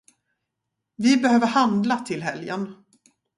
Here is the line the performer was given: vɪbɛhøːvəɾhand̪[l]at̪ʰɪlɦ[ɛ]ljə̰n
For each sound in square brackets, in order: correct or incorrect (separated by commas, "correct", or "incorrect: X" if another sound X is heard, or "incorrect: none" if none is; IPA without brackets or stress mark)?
correct, correct